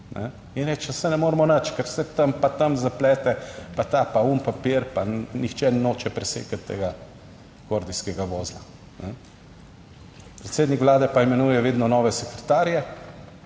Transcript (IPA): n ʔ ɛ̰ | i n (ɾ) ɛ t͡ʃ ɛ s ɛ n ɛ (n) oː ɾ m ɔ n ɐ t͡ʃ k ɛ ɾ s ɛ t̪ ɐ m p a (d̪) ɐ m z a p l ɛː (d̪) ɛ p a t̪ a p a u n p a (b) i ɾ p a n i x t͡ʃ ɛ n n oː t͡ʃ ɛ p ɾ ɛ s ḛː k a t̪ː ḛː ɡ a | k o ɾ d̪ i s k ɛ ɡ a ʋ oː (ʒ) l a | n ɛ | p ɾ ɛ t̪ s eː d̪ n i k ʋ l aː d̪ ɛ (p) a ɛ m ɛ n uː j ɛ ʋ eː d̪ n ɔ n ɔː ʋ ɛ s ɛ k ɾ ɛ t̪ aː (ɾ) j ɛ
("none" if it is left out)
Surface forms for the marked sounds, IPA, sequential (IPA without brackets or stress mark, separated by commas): ɾ, m, t̪, t̪, p, z, p, ɾ